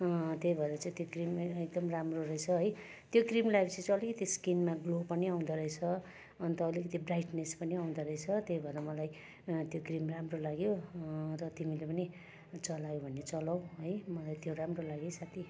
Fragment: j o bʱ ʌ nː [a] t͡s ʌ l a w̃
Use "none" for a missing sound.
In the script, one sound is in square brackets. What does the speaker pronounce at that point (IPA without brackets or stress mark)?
e